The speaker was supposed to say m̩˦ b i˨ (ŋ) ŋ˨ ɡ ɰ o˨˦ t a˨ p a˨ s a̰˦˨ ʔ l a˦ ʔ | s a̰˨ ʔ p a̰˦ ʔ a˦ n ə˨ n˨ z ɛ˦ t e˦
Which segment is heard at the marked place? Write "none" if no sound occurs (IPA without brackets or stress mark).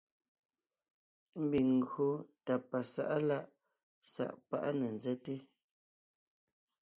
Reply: ŋ